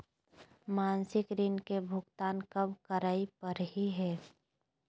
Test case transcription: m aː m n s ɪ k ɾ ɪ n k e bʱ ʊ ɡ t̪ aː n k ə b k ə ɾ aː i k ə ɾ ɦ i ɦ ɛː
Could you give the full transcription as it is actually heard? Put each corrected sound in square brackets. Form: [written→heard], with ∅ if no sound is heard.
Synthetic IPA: m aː [m→∅] n s ɪ k ɾ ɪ n k e bʱ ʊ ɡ t̪ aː n k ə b k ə ɾ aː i [k→p] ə ɾ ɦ i ɦ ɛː